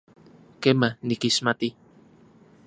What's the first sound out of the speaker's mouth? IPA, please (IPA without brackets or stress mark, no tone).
k